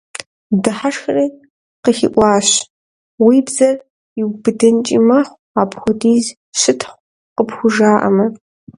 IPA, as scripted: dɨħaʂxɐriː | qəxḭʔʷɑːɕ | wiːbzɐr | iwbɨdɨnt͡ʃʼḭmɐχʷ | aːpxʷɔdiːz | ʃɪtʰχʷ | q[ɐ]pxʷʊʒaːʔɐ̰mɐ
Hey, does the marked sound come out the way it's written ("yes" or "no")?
no